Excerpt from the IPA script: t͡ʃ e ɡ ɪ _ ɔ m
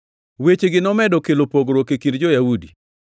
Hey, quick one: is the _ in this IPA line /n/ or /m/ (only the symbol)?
n